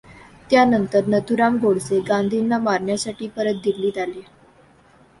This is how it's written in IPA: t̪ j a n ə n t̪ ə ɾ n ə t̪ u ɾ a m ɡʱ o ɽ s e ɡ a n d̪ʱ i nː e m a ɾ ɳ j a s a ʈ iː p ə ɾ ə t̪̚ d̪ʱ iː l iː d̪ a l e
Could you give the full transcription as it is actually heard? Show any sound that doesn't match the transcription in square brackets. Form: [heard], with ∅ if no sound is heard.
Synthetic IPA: t̪ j a n ə n t̪ ə ɾ n ə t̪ u ɾ a m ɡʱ o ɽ s e ɡ a n d̪ʱ i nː [a] m a ɾ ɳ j a s a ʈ iː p ə ɾ ə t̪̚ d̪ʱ [i] l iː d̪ a l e